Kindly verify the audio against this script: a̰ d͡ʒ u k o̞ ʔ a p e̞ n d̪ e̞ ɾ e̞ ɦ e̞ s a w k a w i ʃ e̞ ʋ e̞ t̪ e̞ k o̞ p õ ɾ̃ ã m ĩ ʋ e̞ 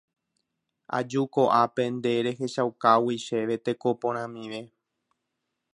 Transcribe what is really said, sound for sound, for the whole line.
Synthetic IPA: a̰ d͡ʒ u k o̞ ʔ a p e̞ n d̪ e̞ ɾ e̞ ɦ e̞ ʃ a w k a w i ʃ e̞ ʋ e̞ t̪ e̞ k o̞ p õ ɾ̃ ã m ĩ ʋ e̞